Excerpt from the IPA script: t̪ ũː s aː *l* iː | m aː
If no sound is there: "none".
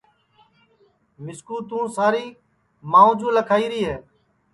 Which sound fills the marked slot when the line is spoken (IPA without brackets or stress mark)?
ɾ